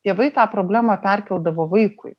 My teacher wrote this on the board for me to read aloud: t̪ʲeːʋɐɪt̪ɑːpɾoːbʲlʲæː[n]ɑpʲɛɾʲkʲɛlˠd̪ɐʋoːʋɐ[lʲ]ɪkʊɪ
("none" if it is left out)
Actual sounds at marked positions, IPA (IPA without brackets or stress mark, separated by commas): m, none